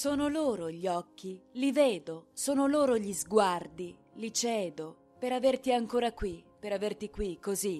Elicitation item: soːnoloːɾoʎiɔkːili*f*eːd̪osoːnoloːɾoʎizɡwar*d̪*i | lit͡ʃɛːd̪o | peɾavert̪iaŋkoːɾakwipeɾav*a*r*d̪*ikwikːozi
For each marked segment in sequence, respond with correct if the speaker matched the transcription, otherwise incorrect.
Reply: incorrect: v, correct, incorrect: e, incorrect: t̪

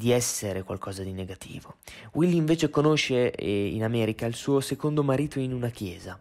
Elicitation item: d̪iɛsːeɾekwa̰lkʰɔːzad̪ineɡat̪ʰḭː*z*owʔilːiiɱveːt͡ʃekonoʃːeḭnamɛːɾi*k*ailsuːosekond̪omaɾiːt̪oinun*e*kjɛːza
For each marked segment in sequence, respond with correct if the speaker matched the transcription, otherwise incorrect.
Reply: incorrect: v, correct, incorrect: a

